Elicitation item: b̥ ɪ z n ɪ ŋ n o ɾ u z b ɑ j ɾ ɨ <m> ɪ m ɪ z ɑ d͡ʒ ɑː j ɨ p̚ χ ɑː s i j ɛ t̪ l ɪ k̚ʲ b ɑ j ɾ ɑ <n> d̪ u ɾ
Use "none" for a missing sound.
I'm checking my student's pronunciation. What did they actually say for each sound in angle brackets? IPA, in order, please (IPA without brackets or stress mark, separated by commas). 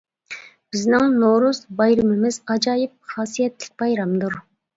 m, m